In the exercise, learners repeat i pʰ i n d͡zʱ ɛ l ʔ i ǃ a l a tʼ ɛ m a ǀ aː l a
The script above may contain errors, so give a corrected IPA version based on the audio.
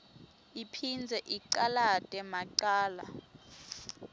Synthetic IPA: i pʰ i n d͡zʱ ɛ ʔ i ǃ a l a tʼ ɛ m a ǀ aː l a